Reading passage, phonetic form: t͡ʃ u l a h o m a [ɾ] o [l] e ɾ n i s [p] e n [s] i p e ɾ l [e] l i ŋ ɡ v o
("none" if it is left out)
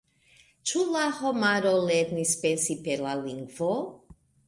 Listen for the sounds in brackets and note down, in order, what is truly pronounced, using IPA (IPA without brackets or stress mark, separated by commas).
ɾ, l, p, s, a